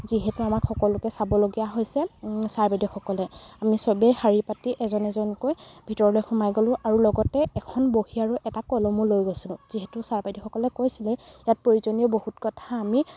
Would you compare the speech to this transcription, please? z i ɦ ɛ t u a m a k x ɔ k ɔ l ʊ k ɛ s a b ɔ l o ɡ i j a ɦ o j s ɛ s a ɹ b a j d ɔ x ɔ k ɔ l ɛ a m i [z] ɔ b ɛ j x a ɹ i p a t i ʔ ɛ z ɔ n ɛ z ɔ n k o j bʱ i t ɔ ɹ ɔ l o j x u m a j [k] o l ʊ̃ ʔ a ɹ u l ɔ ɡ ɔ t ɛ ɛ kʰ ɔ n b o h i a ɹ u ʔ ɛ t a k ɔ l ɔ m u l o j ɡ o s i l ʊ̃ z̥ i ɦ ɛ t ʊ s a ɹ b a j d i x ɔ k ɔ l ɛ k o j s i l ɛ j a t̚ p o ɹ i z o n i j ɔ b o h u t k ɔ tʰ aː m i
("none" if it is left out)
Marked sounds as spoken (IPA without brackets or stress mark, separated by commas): s, ɡ